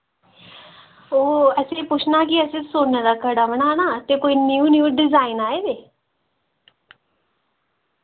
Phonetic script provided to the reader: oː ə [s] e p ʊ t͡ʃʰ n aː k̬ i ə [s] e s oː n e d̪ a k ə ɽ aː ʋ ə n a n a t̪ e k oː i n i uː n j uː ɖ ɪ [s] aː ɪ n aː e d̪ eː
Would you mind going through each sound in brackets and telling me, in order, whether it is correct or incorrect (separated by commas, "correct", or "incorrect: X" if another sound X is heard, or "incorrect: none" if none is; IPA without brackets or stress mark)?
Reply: correct, correct, incorrect: z